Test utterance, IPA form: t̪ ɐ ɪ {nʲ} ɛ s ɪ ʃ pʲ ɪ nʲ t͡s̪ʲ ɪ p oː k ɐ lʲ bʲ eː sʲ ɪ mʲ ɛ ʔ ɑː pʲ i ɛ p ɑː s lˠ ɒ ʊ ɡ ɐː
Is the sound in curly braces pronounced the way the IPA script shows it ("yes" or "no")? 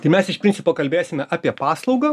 no